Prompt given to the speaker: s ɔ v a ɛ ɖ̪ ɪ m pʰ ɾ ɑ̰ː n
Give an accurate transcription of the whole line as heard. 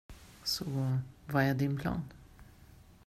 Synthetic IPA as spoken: s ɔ v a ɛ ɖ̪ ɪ n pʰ l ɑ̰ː n